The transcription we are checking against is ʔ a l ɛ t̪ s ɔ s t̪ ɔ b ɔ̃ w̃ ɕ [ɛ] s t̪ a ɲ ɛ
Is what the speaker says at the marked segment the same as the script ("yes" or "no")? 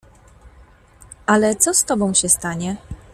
yes